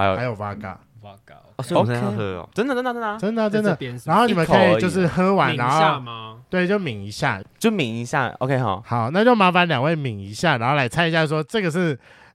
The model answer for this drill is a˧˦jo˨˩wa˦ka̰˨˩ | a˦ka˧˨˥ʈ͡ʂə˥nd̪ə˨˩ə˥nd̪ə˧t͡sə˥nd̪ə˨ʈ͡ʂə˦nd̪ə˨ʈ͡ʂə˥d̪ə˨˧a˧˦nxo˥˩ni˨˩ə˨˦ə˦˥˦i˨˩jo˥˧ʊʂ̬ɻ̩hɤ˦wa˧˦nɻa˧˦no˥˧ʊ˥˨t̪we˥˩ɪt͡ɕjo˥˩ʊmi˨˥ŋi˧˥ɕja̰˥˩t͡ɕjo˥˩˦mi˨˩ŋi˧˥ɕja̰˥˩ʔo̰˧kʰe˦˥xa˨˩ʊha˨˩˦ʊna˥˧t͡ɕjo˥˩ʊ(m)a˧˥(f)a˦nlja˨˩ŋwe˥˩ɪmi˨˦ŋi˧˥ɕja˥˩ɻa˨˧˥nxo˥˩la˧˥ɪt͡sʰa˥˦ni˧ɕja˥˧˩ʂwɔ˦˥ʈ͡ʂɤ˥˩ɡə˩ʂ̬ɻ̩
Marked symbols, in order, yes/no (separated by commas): yes, yes